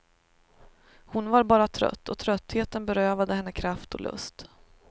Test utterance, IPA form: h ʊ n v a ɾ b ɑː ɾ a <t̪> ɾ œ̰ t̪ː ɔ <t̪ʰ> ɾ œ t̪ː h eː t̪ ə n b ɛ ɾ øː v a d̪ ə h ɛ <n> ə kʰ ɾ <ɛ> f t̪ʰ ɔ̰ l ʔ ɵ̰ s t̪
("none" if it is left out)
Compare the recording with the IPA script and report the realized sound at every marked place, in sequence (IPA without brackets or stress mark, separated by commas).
t̪ʰ, t̪ʰ, nː, a